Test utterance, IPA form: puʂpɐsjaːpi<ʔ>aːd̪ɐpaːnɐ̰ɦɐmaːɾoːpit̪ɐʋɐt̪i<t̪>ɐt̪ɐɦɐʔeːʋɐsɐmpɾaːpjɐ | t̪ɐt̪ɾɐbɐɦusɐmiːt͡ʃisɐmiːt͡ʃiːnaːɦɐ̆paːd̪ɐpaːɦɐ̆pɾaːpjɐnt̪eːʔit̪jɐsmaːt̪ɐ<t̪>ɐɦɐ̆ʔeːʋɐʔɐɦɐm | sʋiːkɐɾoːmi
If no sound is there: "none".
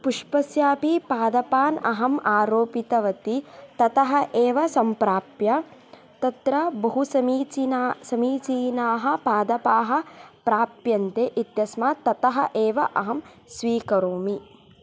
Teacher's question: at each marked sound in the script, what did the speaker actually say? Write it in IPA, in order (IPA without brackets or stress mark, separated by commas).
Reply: p, t̪, t̪